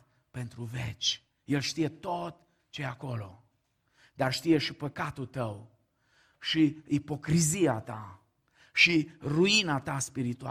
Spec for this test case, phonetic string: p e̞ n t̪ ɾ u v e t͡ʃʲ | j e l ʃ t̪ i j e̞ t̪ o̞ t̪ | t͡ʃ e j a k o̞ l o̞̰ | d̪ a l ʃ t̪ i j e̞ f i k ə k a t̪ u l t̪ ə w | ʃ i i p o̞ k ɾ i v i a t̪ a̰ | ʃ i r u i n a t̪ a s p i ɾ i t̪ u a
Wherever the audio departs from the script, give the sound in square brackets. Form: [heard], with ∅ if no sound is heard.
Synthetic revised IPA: p e̞ n t̪ ɾ u v e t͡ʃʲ | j e l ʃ t̪ i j e̞ t̪ o̞ t̪ | t͡ʃ e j a k o̞ l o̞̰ | d̪ a [r] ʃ t̪ i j e̞ [ʃ] i [p] ə k a t̪ u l t̪ ə w | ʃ i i p o̞ k ɾ i [z] i a t̪ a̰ | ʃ i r u i n a t̪ a s p i ɾ i t̪ u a